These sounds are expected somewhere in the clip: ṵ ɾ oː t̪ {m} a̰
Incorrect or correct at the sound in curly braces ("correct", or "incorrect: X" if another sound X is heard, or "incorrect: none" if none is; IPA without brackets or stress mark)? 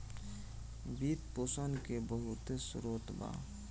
incorrect: b